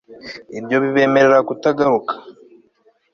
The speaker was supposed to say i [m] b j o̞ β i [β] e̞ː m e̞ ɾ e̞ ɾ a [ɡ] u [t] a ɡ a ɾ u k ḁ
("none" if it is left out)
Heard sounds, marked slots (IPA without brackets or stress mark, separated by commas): none, β, k, t